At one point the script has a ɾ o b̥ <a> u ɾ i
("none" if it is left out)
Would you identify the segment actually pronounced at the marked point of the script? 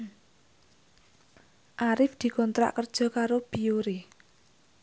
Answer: i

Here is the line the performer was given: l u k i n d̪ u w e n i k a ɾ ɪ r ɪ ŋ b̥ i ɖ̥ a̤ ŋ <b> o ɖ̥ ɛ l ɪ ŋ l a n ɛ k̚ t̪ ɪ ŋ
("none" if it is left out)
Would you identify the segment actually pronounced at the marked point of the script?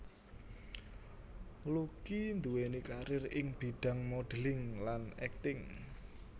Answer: m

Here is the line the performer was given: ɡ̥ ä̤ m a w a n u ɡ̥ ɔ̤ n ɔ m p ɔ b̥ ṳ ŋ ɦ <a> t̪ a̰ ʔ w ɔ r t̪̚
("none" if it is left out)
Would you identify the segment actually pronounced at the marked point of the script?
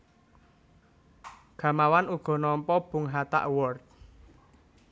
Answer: a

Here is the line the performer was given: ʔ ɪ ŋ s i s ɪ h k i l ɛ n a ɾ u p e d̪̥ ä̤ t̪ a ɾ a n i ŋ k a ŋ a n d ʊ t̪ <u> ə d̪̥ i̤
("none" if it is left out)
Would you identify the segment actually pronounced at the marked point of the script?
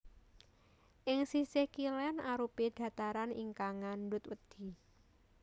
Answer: w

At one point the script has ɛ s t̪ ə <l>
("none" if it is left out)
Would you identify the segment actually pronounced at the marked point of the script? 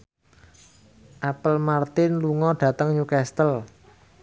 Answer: l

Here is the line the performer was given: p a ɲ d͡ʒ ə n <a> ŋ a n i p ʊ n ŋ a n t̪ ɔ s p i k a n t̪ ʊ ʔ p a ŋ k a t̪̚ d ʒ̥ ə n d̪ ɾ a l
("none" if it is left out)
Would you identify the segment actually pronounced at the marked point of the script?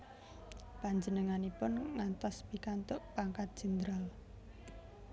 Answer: ə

